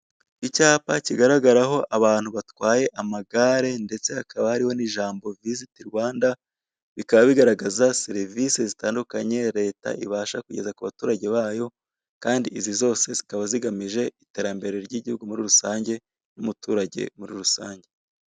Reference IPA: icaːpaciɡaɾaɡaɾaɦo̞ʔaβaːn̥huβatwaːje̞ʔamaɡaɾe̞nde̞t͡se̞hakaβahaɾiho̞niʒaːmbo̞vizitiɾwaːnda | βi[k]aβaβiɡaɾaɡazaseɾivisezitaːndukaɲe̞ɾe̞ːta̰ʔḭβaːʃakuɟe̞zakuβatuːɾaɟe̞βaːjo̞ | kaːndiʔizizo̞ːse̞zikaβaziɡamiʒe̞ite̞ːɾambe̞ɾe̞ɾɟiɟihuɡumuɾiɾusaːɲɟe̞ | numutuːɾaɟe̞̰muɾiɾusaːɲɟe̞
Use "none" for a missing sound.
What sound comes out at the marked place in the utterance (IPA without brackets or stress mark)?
k